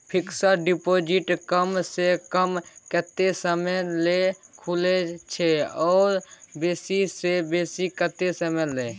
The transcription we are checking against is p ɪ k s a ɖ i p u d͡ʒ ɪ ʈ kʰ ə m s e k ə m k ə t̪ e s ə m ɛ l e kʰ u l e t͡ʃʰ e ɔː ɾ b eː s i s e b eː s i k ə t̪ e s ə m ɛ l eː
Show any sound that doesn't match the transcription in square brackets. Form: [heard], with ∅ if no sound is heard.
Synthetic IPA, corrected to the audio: [pʰ] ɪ k s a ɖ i p [o] d͡ʒ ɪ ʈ [k] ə m s e k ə m k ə t̪ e s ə m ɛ l e kʰ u l e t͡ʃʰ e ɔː ɾ b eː s i s e b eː s i k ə t̪ e s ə m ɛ l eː